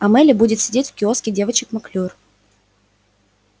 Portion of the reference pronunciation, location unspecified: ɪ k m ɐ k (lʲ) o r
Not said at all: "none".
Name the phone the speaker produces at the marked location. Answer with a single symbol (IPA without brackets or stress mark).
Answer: lʲ